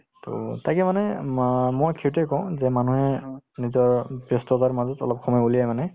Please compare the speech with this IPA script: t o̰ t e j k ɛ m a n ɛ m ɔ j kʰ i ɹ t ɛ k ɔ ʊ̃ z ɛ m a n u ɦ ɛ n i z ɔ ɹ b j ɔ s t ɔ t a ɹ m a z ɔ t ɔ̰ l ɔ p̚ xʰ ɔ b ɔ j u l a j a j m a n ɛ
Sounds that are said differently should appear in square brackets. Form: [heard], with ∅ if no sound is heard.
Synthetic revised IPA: t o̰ t [a] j k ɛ m a n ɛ m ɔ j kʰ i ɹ t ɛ k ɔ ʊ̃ z ɛ m a n u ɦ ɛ n i z ɔ ɹ b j ɔ s t ɔ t a ɹ m a z ɔ t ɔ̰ l ɔ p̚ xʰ ɔ [m] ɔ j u l [i] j a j m a n ɛ